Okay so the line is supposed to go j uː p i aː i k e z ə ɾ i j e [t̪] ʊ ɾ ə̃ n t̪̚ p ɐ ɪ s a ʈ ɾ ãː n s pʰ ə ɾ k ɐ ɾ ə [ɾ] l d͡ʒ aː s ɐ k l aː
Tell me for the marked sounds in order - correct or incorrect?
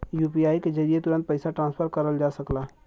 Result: correct, incorrect: none

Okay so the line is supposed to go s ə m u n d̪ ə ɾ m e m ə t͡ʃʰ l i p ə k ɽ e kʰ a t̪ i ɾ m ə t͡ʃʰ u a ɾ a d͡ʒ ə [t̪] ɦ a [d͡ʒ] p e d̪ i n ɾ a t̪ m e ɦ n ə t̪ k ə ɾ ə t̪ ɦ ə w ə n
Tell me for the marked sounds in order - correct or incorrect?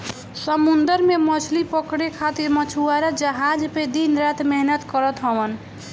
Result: incorrect: none, correct

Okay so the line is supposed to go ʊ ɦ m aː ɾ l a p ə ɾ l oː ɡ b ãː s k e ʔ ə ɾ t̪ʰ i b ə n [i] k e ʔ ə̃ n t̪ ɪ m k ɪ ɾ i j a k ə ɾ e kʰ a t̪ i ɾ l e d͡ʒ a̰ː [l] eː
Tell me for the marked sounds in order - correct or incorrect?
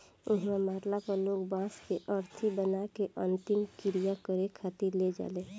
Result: incorrect: a, correct

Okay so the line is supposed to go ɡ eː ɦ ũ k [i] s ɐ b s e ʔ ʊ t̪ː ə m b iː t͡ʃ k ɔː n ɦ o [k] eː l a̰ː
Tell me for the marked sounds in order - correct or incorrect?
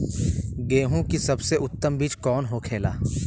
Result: correct, incorrect: kʰ

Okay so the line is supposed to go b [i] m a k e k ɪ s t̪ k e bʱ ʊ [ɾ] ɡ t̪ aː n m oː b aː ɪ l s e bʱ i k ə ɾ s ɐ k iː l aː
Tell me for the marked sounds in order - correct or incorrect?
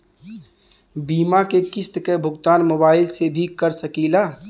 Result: incorrect: iː, incorrect: none

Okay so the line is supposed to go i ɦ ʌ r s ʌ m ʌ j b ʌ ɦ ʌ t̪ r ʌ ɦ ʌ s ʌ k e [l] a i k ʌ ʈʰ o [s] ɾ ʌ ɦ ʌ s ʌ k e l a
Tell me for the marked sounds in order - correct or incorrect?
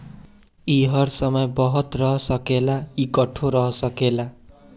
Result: correct, incorrect: none

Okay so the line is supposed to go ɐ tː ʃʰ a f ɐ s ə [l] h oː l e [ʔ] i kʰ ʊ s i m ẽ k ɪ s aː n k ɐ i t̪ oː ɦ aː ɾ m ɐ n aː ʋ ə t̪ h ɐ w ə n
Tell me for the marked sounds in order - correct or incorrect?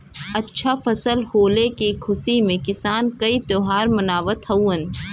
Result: correct, incorrect: k

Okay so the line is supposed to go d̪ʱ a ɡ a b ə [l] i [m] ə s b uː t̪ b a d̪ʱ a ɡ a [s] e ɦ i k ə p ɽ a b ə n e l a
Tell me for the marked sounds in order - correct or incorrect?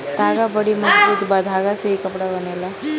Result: incorrect: ɽ, correct, correct

